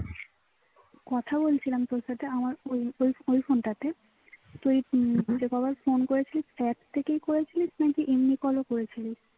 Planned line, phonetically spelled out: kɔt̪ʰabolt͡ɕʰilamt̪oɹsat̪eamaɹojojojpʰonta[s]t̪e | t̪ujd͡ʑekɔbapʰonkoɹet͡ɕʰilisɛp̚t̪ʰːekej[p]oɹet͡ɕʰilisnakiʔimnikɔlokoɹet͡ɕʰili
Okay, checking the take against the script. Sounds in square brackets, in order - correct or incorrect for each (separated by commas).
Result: incorrect, incorrect